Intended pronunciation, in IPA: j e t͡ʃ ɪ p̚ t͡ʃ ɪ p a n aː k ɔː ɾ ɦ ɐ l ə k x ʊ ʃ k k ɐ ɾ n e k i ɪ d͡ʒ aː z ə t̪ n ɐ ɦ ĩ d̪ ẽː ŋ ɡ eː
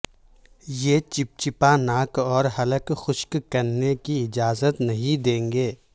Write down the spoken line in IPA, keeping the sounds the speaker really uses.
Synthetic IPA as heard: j e t͡ʃ ɪ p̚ t͡ʃ ɪ p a n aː k ɔː ɾ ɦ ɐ l ə k x ʊ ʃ k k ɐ ɾ n e k i ɪ d͡ʒ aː z ə t̪ n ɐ ɦ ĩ d̪ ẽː ŋ ɡ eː